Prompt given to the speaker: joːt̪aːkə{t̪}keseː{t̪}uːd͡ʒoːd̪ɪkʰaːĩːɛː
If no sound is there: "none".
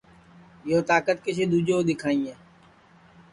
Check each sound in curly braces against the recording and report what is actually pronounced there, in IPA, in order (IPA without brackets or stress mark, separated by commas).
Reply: t̪, d̪